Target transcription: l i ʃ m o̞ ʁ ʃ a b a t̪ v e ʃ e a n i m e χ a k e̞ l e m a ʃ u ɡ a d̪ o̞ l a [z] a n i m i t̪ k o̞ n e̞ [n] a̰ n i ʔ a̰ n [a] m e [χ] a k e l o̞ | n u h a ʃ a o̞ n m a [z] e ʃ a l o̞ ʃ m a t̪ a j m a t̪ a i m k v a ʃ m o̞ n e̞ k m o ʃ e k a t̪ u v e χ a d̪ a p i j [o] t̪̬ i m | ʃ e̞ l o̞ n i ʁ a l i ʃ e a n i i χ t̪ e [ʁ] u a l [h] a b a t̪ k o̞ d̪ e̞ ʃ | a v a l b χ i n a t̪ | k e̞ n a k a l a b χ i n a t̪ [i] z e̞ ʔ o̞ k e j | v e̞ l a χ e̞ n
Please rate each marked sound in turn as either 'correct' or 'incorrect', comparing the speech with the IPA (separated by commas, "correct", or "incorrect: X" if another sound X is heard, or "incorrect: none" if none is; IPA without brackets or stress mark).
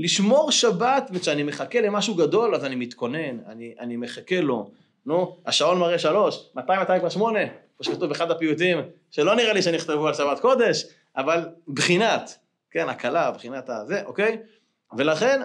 correct, correct, incorrect: i, correct, incorrect: ʁ, incorrect: u, incorrect: v, incorrect: ʃ, incorrect: a